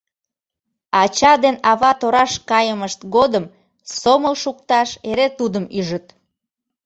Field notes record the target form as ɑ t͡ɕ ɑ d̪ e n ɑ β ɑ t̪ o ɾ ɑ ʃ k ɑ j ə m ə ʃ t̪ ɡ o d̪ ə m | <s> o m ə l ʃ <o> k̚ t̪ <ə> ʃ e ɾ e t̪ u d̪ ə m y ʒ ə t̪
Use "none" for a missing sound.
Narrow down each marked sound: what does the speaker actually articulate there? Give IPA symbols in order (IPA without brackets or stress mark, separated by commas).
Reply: s, u, ɑ